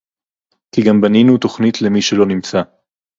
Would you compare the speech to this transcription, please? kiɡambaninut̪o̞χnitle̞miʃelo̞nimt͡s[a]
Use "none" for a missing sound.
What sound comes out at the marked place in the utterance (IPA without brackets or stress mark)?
a